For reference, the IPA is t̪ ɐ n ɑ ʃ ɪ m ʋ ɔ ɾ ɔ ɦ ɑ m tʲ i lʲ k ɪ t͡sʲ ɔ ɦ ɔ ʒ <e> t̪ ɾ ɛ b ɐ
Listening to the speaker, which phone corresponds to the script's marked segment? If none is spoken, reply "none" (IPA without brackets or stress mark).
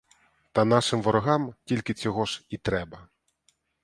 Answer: i